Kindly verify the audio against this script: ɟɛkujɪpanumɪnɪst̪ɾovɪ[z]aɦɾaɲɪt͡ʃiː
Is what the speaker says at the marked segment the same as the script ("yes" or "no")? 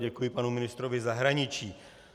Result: yes